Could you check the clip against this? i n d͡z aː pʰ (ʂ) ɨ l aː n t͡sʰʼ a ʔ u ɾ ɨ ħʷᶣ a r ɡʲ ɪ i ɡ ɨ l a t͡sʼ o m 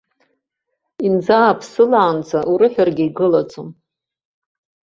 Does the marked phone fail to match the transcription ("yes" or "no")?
yes